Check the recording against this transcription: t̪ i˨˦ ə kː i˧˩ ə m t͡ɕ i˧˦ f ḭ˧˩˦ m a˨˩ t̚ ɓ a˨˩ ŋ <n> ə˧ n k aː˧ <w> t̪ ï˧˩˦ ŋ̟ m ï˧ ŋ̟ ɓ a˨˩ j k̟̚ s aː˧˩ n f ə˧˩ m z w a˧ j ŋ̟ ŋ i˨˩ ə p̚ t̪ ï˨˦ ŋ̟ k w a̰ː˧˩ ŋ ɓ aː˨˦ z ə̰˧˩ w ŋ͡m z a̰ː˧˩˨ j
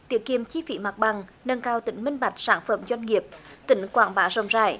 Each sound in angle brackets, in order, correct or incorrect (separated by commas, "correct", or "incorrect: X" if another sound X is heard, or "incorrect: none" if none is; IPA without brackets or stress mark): correct, correct